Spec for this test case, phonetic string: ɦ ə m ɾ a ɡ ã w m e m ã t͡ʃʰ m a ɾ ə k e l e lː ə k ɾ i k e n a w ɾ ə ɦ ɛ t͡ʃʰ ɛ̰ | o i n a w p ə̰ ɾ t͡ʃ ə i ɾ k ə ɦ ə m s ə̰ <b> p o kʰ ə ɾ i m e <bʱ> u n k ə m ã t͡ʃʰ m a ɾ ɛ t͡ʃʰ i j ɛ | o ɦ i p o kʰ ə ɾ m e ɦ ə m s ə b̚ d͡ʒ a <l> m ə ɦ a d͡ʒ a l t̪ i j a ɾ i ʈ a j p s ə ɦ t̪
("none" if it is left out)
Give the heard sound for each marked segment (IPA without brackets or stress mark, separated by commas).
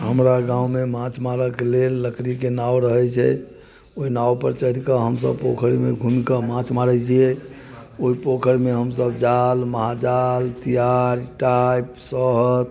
b, ɡʱ, l